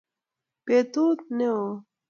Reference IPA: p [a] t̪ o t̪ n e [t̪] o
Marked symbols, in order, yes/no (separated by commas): no, no